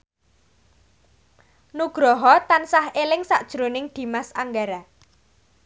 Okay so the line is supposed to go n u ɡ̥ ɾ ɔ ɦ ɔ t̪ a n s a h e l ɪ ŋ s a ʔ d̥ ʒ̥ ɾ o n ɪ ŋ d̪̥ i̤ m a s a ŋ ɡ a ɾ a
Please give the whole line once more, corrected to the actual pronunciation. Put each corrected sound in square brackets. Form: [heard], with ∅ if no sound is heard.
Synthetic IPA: n u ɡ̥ ɾ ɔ ɦ ɔ t̪ a n s a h e l ɪ ŋ s a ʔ d̥ ʒ̥ ɾ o n ɪ ŋ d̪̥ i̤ m a s a ŋ ɡ a ɾ a